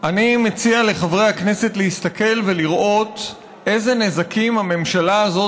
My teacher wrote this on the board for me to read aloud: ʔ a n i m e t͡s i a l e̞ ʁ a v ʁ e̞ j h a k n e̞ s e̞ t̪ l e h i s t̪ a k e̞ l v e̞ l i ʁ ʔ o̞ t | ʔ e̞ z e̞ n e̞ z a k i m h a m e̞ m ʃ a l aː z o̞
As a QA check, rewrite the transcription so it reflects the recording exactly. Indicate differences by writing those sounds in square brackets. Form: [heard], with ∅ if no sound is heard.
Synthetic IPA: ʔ a n i m e t͡s i a l e̞ [χ] a v ʁ e̞ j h a k n e̞ s e̞ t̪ l e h i s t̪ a k e̞ l v e̞ l i ʁ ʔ o̞ t | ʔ e̞ z e̞ n e̞ z a k i m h a m e̞ m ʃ a l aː z o̞